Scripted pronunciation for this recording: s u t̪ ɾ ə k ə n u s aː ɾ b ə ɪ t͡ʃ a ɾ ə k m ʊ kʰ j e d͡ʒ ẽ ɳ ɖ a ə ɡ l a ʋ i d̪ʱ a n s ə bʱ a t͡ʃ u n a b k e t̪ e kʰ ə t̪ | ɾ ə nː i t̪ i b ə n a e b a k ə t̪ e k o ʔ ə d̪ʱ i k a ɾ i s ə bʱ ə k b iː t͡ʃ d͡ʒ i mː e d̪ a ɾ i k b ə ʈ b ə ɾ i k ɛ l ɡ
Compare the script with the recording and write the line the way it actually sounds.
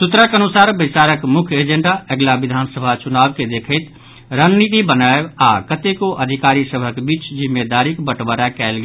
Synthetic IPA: s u t̪ ɾ ə k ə n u s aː ɾ b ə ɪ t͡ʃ a ɾ ə k m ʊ kʰ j e d͡ʒ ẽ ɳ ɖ a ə ɡ l a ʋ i d̪ʱ a n s ə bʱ a t͡ʃ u n a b k e d̪ e kʰ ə t̪ | ɾ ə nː i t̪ i b ə n a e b a k ə t̪ e k o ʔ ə d̪ʱ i k a ɾ i s ə bʱ ə k b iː t͡ʃ d͡ʒ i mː e d̪ a ɾ i k b ə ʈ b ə ɾ a k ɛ l ɡ